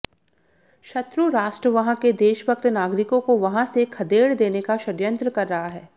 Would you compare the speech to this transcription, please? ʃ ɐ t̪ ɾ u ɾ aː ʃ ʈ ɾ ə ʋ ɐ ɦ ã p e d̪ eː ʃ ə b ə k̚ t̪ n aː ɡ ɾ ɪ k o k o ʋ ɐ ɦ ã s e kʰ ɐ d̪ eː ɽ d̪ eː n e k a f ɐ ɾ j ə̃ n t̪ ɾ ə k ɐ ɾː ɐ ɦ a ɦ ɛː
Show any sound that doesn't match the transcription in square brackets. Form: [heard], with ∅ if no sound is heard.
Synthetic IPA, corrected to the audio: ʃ ɐ t̪ ɾ u ɾ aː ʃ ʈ ɾ ə ʋ ɐ ɦ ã [k] e d̪ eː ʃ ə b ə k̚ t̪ n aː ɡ ɾ ɪ k [õ] k o ʋ ɐ ɦ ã s e kʰ ɐ d̪ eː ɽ d̪ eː n e k a [ʃ] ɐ ɾ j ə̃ n t̪ ɾ ə k ɐ ɾː ɐ ɦ a ɦ ɛː